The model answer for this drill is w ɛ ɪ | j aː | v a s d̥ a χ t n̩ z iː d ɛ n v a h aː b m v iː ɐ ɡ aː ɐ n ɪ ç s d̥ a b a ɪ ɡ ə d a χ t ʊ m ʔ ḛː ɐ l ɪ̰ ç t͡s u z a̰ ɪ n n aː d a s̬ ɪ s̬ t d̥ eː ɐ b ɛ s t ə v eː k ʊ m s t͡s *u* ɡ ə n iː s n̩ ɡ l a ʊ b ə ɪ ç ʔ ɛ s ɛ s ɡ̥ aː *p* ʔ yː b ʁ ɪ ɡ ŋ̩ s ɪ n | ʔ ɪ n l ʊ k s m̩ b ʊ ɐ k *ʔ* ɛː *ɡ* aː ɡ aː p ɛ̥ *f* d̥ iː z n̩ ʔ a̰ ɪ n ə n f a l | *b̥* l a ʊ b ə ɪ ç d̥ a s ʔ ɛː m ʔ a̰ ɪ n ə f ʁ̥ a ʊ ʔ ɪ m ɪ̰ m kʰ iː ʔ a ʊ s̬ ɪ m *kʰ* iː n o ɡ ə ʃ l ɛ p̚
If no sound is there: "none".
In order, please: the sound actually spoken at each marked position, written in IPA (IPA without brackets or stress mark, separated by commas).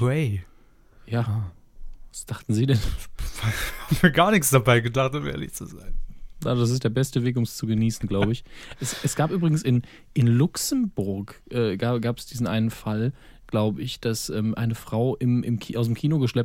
u, p, ʔ, ɡ, s, ɡ̥, kʰ